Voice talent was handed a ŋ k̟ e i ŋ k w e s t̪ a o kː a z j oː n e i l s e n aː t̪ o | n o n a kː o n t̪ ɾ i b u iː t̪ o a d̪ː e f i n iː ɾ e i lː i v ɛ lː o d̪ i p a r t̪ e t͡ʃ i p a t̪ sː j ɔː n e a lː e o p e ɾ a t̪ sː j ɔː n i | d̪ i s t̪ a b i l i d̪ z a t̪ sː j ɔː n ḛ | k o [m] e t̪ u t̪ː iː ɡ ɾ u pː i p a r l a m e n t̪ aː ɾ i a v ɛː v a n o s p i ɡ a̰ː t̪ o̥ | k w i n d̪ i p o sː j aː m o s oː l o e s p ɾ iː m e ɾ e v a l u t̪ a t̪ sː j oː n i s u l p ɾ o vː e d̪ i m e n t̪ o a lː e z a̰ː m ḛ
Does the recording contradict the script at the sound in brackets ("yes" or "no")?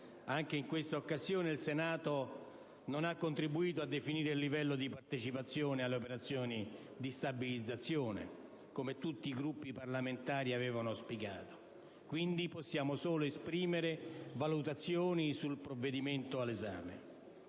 no